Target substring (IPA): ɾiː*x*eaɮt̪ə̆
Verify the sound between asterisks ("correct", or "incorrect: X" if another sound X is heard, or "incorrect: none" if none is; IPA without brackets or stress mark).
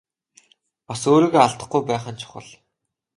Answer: incorrect: ɣ